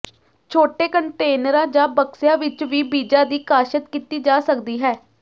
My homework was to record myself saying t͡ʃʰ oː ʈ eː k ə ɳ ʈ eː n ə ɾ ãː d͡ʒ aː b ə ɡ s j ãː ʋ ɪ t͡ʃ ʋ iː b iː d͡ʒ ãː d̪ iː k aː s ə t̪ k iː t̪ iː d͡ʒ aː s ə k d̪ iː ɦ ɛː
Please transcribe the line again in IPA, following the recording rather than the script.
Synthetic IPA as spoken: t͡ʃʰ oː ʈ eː k ə ɳ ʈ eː n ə ɾ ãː d͡ʒ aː b ə k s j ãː ʋ ɪ t͡ʃ ʋ iː b iː d͡ʒ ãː d̪ iː k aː ʃ ə t̪ k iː t̪ iː d͡ʒ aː s ə k d̪ iː ɦ ɛː